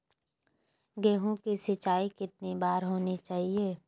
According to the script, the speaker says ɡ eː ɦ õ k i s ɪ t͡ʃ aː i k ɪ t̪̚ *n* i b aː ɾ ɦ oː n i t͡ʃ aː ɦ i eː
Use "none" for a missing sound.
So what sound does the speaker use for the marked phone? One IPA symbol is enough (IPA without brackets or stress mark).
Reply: n